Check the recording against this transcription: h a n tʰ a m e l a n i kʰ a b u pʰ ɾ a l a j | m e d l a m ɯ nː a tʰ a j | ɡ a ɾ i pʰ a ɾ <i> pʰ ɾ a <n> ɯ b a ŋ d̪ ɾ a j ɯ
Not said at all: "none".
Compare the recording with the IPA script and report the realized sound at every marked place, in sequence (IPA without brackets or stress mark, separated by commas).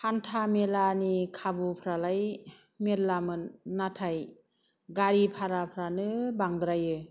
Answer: a, n